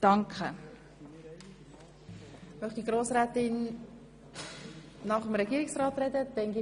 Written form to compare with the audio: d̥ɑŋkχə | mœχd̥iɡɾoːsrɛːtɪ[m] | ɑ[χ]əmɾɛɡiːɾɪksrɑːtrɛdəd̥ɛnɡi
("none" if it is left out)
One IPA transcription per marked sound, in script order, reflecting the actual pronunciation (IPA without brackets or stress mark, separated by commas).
n, χ